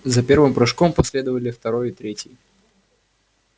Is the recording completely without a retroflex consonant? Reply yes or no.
no